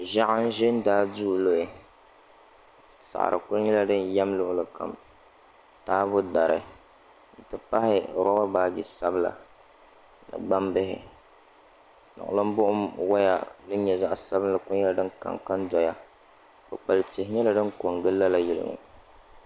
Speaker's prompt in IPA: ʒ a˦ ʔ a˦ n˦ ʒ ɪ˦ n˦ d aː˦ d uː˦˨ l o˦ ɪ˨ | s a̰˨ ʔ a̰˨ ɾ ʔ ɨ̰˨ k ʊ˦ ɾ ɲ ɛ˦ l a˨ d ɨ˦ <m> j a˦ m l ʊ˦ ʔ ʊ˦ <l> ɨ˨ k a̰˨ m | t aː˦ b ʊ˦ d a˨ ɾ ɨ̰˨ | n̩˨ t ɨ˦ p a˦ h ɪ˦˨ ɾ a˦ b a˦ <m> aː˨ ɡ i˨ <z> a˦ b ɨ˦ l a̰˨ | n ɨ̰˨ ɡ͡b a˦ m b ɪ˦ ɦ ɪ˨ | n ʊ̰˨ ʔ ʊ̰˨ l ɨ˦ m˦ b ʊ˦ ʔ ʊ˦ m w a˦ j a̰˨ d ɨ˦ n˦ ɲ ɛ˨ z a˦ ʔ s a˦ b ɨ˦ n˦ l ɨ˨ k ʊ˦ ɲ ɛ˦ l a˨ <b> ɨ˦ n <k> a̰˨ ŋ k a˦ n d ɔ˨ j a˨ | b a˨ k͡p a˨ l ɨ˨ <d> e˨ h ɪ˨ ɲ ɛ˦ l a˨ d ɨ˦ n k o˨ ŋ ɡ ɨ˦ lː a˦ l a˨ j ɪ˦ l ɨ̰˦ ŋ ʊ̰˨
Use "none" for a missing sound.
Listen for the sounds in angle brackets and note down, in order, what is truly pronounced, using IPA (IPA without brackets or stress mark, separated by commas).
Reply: n, l, b, s, d, k, t